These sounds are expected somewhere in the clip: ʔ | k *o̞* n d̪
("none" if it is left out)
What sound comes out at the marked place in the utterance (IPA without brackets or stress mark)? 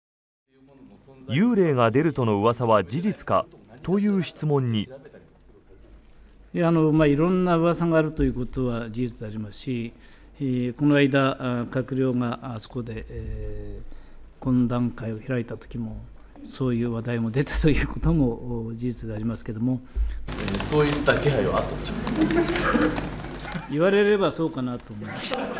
õ̞